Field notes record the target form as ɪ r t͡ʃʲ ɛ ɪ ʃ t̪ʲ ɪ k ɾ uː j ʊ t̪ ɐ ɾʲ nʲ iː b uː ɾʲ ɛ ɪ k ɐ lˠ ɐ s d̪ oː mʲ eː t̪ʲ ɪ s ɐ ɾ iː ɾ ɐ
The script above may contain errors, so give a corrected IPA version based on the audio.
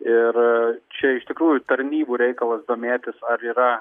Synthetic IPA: ɪ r t͡ʃʲ ɛ ɪ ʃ t̪ʲ ɪ k ɾ uː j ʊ t̪ ɐ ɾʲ nʲ iː b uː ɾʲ ɛ ɪ k ɐ lˠ ɐ s d̪ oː mʲ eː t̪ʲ ɪ s ɐ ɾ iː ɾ ɐ